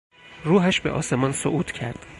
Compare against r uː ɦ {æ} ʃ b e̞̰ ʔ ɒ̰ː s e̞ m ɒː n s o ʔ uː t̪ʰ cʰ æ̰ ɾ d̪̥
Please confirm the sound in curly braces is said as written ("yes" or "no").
yes